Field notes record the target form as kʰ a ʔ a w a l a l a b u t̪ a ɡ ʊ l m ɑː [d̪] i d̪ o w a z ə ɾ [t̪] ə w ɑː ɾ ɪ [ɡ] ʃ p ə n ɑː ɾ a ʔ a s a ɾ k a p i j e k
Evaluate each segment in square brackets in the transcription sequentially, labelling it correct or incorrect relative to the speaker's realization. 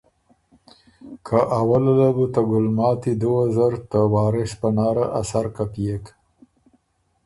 incorrect: t̪, correct, incorrect: none

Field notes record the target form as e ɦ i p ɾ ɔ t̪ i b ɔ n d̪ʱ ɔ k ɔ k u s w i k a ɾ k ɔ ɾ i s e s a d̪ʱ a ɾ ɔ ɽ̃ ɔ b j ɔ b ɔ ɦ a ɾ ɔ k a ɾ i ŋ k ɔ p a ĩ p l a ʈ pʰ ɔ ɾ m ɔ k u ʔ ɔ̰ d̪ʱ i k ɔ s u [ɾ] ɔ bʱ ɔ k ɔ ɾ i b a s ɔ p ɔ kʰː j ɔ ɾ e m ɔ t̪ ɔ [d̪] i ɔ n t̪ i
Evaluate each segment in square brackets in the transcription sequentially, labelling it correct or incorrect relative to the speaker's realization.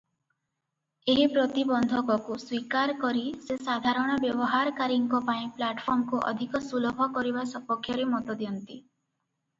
incorrect: l, correct

